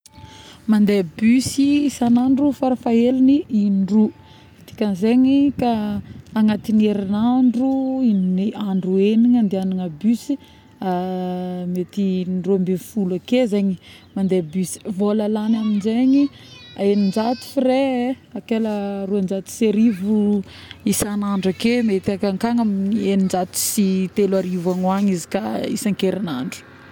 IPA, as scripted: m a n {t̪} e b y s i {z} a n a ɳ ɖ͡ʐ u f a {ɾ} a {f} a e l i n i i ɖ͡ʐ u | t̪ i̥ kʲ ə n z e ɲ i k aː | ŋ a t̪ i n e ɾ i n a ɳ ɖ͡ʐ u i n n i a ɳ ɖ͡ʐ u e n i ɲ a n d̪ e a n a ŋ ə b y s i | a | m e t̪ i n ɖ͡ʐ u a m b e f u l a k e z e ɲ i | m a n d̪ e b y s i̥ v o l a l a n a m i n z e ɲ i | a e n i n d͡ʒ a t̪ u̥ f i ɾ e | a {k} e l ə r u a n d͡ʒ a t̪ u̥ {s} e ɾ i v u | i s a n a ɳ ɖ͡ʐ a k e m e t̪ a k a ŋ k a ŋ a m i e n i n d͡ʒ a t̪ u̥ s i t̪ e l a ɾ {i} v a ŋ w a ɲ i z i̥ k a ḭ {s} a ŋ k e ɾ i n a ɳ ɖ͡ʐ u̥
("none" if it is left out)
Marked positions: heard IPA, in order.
d̪, s, ɾ, f, k, s, i, s

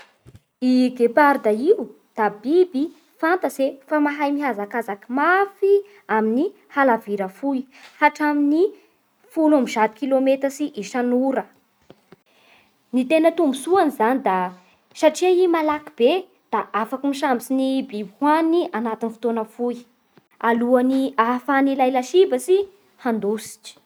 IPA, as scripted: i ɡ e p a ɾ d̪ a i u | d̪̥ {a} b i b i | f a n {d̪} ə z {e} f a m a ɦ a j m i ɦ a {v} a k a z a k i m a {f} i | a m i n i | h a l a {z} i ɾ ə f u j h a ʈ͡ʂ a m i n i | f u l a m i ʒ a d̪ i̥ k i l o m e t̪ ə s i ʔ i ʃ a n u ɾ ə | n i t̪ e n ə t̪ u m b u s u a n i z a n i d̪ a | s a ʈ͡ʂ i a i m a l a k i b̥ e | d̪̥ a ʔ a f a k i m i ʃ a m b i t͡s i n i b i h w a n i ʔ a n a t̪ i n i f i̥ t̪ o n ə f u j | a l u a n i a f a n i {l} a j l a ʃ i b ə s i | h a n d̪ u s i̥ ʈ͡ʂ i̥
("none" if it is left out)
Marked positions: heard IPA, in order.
a, t̪, e, z, f, v, l

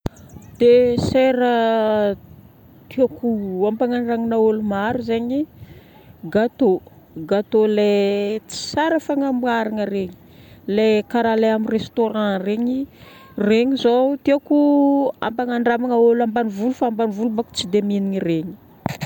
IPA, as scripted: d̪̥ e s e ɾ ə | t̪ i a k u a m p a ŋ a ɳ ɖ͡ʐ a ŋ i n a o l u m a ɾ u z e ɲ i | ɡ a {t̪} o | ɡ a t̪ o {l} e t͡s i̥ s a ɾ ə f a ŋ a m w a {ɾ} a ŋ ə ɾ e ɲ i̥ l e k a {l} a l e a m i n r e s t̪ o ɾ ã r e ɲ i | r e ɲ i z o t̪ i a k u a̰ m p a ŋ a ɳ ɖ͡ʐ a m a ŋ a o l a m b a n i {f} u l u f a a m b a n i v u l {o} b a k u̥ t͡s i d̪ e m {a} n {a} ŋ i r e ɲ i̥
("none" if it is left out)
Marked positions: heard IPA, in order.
t̪, l, ɾ, ɾ, v, u, i, i

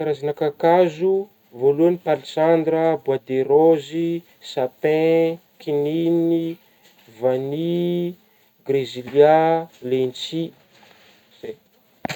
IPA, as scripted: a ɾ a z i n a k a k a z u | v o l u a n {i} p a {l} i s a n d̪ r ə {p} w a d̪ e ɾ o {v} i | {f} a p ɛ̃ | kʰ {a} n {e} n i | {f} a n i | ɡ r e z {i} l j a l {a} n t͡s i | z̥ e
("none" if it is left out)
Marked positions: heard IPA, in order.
i, l, b, z, s, i, i, v, i, e

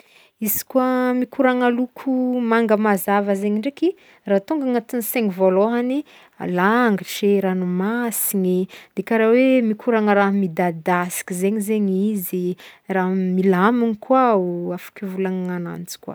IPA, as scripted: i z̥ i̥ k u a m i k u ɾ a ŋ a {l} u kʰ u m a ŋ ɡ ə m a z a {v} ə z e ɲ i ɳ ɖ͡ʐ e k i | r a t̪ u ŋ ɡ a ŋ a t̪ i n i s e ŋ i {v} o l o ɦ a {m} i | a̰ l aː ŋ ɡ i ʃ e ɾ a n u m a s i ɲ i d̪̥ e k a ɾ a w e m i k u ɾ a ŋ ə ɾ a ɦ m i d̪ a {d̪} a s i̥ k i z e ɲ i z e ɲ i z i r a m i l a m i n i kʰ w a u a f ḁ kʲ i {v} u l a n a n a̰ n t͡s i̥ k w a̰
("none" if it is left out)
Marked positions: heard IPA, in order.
l, v, v, n, d̪, v

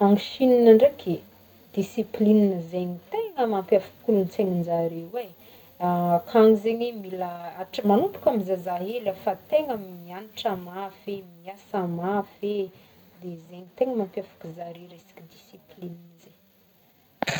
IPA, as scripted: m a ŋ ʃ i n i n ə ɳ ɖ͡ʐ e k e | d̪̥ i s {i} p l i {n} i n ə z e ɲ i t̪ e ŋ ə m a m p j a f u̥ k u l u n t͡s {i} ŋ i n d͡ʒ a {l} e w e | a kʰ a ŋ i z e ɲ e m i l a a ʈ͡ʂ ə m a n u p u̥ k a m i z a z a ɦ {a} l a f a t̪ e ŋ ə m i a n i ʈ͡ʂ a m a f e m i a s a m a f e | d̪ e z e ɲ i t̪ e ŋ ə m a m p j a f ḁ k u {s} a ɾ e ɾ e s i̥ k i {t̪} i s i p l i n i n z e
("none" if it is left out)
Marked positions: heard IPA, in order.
i, n, e, ɾ, e, z, d̪

